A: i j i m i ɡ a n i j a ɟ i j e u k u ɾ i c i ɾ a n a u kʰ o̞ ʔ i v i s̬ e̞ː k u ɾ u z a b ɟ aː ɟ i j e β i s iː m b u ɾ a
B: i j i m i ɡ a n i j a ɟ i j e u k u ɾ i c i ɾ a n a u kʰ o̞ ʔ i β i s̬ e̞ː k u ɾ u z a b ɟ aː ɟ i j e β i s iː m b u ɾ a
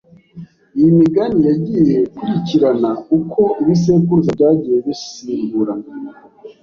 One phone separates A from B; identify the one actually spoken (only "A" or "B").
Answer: B